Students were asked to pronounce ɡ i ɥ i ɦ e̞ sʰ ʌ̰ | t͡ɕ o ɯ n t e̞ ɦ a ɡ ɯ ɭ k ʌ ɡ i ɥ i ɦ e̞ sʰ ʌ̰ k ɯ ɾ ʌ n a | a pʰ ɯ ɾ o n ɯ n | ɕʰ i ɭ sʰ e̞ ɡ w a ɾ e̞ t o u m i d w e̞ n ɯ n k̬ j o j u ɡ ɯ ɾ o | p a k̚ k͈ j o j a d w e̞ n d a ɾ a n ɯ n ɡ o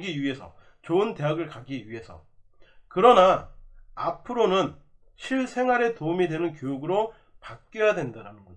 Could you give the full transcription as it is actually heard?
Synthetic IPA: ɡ i ɥ i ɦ e̞ sʰ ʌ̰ | t͡ɕ o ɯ n t e̞ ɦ a ɡ ɯ ɭ k a ɡ i ɥ i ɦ e̞ sʰ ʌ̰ k ɯ ɾ ʌ n a | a pʰ ɯ ɾ o n ɯ n | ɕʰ i ɭ sʰ e̞ ŋ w a ɾ e̞ t o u m i d w e̞ n ɯ n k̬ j o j u ɡ ɯ ɾ o | p a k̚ k͈ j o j a d w e̞ n d a ɾ a n ɯ n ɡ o